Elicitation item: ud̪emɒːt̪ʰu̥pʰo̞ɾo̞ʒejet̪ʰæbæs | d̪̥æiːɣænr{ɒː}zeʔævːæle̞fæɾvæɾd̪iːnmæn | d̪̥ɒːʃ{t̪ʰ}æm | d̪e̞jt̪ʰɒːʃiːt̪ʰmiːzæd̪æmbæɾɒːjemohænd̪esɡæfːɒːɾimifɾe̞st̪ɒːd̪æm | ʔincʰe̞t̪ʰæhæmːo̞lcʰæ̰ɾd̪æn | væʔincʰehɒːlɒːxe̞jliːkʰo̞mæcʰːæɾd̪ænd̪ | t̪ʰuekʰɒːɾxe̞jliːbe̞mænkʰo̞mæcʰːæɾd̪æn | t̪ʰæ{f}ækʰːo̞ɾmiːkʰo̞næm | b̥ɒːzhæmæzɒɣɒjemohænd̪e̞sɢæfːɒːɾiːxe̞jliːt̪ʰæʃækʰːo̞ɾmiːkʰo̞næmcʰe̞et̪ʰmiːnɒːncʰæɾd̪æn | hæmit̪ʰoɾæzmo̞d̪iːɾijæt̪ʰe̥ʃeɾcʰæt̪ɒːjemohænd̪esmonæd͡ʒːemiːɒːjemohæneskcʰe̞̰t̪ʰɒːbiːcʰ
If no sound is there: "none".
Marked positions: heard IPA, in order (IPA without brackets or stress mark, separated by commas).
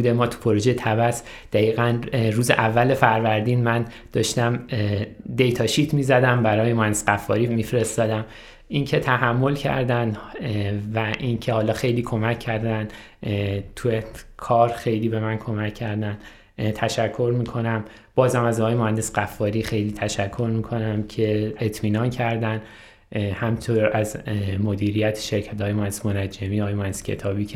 uː, t̪, ʃ